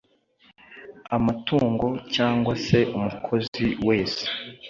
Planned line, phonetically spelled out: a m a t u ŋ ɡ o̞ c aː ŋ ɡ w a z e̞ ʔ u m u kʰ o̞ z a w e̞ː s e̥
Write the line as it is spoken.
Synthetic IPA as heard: a m a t uː ŋ ɡ o̞ c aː ŋ ɡ w a s e̞ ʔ u m u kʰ o̞ z i w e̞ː s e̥